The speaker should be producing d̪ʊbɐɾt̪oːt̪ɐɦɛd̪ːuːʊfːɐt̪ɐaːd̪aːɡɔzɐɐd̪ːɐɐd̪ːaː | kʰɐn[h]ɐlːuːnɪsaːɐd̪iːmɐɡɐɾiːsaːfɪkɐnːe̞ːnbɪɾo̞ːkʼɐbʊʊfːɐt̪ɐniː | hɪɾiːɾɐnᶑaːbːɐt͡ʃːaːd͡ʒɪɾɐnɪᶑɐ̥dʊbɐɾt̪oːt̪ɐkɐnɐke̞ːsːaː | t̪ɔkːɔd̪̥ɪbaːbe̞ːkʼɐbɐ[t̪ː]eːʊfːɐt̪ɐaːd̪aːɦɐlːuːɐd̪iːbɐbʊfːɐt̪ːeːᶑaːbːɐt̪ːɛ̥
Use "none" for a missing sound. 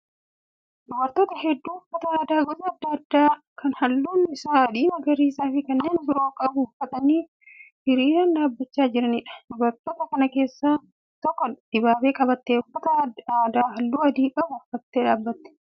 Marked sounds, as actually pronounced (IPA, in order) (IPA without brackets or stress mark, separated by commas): h, t̪ː